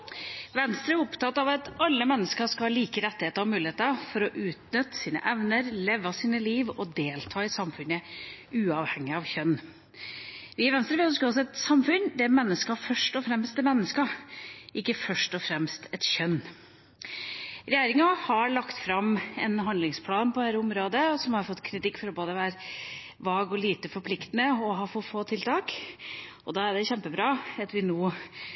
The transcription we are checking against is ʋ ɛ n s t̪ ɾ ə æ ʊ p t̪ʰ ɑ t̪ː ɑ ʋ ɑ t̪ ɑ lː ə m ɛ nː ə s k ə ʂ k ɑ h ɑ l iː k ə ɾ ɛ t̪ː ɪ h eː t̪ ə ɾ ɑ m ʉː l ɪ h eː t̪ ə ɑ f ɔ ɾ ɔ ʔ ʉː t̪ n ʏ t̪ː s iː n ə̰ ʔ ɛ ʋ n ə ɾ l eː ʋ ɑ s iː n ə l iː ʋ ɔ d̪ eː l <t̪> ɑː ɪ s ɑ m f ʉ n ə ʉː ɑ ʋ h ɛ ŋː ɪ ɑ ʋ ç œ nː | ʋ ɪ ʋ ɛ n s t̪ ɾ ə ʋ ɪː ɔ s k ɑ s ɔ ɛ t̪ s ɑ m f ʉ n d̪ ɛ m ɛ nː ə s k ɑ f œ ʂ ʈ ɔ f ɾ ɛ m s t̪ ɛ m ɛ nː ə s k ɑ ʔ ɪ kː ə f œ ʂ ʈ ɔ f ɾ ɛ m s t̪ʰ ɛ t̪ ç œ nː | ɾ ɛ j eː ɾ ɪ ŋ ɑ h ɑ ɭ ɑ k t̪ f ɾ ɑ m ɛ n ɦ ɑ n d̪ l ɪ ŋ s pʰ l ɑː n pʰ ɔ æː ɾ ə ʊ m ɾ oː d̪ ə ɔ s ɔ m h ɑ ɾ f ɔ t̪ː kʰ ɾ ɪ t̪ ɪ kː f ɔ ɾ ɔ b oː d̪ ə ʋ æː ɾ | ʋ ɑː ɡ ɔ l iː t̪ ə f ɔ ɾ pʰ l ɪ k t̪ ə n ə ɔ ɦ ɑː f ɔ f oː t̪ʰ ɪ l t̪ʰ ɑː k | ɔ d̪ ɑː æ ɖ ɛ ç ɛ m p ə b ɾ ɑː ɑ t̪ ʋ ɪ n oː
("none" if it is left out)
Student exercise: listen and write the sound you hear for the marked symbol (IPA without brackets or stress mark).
t̪ʰ